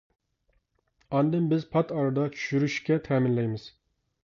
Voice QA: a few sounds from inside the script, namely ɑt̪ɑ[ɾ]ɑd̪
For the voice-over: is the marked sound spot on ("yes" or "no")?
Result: yes